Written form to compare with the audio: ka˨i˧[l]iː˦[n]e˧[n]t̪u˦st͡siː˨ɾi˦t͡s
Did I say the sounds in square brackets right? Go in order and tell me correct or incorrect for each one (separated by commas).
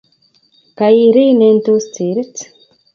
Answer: incorrect, correct, correct